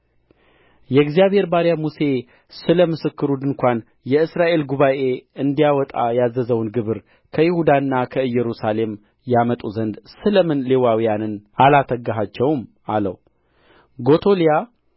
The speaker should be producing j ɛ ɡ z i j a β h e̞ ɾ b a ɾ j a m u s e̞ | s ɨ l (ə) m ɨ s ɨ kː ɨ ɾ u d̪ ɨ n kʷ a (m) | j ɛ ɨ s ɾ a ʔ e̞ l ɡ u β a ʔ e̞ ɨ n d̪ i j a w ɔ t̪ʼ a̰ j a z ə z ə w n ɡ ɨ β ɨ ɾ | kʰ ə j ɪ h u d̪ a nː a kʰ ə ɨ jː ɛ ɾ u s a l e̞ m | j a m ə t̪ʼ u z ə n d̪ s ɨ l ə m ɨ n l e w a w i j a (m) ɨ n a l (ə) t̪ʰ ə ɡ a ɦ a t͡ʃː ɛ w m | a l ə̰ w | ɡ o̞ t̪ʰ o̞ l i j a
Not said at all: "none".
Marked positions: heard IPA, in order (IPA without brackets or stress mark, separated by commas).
ə, n, n, a